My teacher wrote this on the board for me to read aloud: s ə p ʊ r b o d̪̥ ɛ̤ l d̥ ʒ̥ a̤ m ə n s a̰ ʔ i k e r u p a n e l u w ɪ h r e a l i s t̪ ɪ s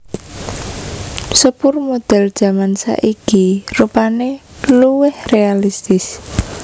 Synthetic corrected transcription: s ə p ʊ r m o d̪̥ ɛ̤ l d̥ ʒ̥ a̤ m a n s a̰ ʔ i k i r u p a n e l u w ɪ h r e a l i s t̪ ɪ s